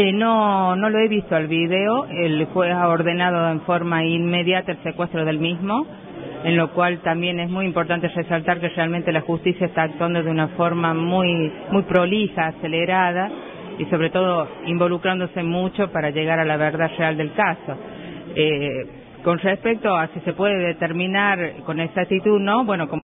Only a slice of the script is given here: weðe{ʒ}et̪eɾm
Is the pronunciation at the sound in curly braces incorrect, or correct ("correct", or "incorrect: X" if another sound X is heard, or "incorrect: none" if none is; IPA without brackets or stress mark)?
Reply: incorrect: ð